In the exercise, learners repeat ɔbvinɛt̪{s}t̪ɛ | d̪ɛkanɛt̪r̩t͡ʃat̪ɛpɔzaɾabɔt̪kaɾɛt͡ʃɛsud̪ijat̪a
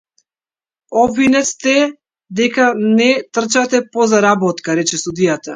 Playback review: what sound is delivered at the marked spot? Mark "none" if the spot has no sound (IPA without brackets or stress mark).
s